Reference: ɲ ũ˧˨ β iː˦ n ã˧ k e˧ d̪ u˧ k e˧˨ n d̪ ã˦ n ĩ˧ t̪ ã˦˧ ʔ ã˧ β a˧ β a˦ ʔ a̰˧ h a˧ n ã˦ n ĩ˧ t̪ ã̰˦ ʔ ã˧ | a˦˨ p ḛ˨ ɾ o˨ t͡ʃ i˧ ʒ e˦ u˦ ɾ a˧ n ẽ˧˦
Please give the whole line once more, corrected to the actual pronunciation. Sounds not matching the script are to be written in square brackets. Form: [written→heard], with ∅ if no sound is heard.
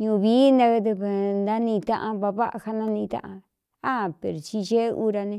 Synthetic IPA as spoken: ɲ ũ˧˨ β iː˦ n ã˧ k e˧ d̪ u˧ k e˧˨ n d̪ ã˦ n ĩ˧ t̪ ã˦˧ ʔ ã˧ β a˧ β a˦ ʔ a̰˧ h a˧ n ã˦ n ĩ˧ t̪ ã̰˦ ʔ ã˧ | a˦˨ p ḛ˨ ɾ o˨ t͡ʃ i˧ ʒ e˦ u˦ ɾ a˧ n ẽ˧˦